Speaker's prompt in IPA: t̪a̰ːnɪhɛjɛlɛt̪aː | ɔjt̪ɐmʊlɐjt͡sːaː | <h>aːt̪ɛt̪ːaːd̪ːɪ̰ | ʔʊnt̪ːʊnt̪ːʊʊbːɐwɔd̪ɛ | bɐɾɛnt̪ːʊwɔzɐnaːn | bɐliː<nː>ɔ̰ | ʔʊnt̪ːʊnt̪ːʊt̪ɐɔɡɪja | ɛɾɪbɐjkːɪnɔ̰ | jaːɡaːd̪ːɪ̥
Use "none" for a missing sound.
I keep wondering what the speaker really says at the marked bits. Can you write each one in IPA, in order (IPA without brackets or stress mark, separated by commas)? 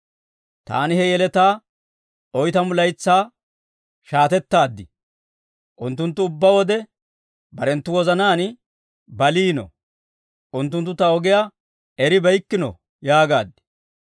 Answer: ʃ, n